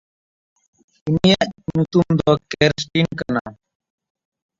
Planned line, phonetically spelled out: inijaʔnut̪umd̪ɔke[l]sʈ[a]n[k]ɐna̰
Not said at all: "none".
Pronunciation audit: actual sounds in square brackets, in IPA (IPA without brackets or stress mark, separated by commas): ɾ, i, k